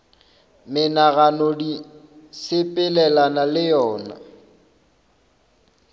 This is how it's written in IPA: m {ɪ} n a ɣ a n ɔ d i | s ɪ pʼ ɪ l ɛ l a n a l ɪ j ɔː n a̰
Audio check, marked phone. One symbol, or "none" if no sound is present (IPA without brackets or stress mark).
ɪ